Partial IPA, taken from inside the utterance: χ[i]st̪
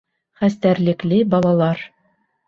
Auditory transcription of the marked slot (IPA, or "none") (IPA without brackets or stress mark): æ